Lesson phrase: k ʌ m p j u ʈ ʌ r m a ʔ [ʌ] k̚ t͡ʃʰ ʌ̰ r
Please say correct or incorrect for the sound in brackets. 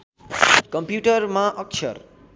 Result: correct